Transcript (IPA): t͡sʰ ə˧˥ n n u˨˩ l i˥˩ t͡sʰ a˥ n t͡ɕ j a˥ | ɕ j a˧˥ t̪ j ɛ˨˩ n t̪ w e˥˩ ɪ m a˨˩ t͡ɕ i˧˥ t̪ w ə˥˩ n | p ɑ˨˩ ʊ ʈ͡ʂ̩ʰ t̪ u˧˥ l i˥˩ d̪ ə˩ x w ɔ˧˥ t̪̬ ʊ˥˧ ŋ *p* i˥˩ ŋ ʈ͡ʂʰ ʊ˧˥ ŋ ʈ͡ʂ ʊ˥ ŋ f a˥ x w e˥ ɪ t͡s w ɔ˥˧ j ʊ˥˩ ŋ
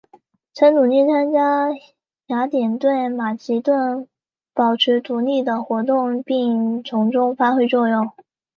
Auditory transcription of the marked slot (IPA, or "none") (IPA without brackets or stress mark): p